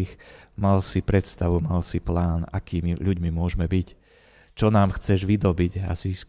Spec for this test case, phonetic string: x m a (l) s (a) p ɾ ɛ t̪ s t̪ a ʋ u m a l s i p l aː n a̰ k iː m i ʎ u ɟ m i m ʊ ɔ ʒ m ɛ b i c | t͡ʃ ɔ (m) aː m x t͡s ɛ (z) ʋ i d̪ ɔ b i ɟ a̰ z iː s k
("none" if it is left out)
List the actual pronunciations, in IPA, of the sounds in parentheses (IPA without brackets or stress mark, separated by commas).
l, i, n, ʒ